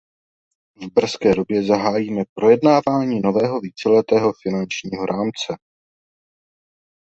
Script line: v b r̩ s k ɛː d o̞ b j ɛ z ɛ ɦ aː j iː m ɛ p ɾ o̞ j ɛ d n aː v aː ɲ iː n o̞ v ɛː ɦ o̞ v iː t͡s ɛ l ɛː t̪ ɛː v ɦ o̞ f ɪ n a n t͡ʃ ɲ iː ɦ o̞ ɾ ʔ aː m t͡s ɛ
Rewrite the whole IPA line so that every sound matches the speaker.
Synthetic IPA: v b r̩ s k ɛː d o̞ b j ɛ z a ɦ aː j iː m ɛ p ɾ o̞ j ɛ d n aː v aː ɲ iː n o̞ v ɛː ɦ o̞ v iː t͡s ɛ l ɛ t̪ ɛː ɦ o̞ f ɪ n a n t͡ʃ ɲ iː ɦ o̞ ɾ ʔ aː m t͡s ɛ